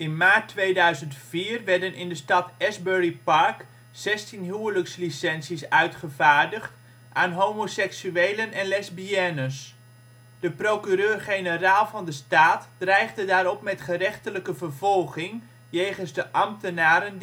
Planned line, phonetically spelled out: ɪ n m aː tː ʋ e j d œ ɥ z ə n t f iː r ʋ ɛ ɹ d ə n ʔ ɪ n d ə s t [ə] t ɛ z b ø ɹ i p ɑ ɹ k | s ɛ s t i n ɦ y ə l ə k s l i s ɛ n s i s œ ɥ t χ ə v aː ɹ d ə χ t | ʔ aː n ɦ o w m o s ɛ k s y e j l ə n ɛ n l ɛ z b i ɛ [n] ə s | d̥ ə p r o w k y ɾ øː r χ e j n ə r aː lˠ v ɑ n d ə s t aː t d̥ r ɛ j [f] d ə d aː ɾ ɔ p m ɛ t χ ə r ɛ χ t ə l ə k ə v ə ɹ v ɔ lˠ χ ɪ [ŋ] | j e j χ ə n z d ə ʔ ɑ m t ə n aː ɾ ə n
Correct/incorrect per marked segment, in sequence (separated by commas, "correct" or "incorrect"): incorrect, correct, incorrect, correct